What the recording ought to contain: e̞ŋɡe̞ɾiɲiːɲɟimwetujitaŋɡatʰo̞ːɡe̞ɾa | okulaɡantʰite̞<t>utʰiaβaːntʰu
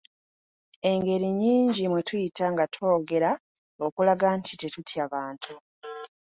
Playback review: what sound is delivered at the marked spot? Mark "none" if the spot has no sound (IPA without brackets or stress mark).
t